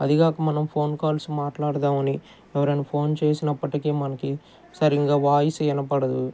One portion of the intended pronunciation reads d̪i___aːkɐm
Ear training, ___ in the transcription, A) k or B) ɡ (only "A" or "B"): B